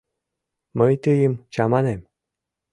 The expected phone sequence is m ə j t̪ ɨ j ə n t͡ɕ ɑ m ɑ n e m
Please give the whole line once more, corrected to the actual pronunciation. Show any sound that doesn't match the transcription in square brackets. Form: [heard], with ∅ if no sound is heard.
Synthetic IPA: m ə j t̪ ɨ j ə [m] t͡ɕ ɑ m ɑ n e m